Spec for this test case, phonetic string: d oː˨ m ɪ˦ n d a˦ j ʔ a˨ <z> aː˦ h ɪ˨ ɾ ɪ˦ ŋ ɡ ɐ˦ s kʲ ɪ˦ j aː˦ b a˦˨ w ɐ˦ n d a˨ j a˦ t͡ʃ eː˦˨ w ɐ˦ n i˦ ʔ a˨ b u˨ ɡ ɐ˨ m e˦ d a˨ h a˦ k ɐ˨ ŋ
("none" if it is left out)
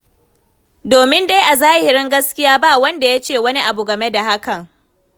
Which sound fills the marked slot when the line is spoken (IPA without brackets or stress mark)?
z